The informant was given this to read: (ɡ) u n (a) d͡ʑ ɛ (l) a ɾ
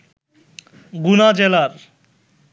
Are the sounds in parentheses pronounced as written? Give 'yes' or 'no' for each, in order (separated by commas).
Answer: yes, yes, yes